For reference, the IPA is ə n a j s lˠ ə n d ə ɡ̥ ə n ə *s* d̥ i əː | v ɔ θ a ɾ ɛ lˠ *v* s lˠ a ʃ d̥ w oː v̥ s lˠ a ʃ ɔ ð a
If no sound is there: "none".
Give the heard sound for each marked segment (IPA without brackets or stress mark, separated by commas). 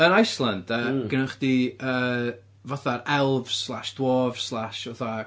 χ, v